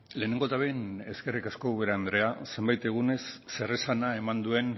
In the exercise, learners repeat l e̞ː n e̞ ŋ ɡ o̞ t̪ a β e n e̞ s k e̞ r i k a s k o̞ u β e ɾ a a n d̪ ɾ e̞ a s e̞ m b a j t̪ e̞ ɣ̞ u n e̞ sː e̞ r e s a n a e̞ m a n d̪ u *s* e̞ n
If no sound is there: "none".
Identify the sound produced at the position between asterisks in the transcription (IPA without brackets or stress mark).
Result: none